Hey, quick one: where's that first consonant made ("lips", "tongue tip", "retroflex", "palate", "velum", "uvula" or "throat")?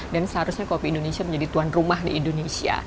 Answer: tongue tip